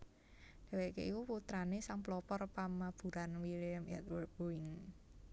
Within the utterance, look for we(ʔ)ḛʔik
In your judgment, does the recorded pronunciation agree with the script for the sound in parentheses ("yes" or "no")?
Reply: no